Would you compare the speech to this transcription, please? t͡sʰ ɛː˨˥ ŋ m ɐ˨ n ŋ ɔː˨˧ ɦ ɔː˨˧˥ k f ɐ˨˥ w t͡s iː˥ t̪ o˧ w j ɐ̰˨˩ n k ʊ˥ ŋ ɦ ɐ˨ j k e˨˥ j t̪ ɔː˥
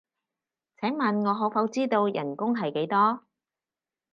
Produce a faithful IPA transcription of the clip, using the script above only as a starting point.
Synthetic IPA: t͡sʰ ɛː˨˥ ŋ m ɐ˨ n ŋ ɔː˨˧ ɦ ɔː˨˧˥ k f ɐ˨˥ w t͡s iː˥ t̪ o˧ w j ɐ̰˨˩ n k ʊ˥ ŋ ɦ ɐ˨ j k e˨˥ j t̪ ɔː˥

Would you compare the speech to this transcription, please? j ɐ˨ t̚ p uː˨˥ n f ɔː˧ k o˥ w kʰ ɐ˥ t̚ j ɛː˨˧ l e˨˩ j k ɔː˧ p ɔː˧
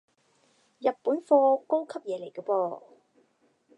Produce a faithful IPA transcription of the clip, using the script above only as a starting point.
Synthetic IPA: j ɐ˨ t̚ p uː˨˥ n f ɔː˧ k o˥ w kʰ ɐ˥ p̚ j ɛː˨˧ l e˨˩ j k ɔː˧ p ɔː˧

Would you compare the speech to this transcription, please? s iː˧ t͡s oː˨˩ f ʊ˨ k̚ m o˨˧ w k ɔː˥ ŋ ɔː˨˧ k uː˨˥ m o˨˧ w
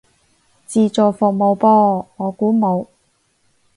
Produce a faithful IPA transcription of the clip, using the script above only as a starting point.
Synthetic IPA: t͡s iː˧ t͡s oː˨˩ f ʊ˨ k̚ m o˨˧ w p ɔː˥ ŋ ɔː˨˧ k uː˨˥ m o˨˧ w

